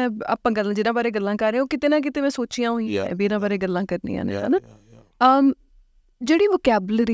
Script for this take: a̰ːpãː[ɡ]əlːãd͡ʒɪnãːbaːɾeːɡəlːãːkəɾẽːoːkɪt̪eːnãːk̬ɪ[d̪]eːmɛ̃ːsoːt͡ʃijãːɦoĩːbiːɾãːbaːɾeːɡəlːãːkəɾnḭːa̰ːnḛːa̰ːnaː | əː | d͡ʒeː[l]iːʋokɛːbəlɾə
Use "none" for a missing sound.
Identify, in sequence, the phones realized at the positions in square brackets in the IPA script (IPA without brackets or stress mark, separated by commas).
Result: ɡ, t̪, ɽ